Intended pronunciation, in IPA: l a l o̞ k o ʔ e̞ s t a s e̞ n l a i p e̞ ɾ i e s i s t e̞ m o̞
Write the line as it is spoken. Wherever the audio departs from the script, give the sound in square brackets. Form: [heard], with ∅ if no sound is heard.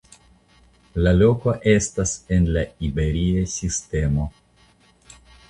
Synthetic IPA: l a l o̞ k o ʔ e̞ s t a s e̞ n l a i [b] e̞ ɾ i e s i s t e̞ m o̞